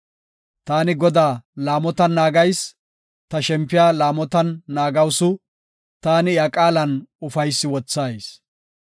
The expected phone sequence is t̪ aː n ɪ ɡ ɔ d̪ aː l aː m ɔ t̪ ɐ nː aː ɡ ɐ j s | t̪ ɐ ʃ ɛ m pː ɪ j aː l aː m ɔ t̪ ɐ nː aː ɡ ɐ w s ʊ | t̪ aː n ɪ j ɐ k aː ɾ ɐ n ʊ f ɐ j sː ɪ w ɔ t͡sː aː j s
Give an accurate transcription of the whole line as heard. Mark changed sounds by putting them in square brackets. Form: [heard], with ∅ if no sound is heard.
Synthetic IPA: t̪ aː n ɪ ɡ ɔ d̪ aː l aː m ɔ t̪ ɐ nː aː ɡ ɐ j s | t̪ ɐ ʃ ɛ m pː ɪ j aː l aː m ɔ t̪ ɐ nː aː ɡ ɐ w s ʊ | t̪ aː n ɪ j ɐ [kʼ] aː [l] ɐ n ʊ f ɐ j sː ɪ w ɔ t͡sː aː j s